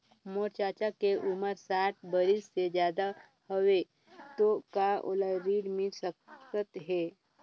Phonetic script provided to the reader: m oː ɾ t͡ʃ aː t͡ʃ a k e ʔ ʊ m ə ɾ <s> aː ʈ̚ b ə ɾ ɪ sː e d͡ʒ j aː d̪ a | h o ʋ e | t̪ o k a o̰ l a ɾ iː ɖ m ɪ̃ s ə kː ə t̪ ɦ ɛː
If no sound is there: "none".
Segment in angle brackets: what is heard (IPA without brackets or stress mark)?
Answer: s